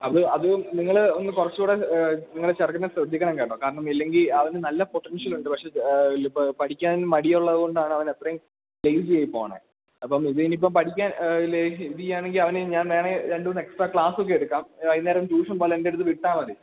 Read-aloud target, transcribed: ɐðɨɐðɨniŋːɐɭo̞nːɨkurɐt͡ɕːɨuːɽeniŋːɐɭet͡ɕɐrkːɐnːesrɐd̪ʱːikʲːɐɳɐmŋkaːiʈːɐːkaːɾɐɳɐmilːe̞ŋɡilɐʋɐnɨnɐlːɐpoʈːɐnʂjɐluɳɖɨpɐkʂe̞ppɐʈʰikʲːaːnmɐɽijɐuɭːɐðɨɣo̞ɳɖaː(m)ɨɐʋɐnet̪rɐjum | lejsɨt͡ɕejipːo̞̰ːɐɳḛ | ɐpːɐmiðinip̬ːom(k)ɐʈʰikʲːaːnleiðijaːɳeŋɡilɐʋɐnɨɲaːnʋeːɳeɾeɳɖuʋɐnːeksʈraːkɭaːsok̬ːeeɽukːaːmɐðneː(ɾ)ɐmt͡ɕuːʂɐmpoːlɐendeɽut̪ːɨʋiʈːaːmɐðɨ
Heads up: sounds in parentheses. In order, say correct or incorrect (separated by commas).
incorrect, incorrect, correct